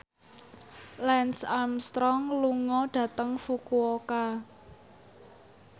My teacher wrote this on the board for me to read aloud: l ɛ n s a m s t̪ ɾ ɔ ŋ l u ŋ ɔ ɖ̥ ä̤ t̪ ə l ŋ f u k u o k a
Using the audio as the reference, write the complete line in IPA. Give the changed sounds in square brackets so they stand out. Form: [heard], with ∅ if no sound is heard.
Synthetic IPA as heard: l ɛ n s a m s t̪ ɾ ɔ ŋ l u ŋ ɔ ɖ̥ ä̤ t̪ ə [∅] ŋ f u k u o k a